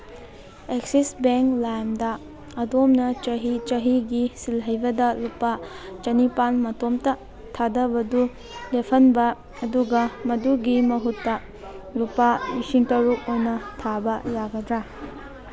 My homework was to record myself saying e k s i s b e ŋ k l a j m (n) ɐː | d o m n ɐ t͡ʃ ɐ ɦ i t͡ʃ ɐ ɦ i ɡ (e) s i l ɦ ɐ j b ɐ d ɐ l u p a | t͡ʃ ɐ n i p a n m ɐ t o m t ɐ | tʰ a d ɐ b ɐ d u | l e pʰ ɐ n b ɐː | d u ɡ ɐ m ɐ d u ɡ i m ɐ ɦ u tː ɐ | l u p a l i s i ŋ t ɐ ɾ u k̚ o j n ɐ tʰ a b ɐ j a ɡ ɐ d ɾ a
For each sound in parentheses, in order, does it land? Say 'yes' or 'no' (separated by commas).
no, no